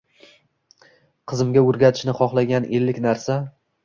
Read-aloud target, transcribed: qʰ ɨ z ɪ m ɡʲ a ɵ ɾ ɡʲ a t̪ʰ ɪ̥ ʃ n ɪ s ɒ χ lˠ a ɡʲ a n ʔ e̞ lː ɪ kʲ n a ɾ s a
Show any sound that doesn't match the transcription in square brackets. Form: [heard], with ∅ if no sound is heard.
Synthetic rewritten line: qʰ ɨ z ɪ m ɡʲ a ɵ ɾ ɡʲ a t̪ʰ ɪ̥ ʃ n ɪ [χ] ɒ χ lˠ a ɡʲ a n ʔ e̞ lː ɪ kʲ n a ɾ s a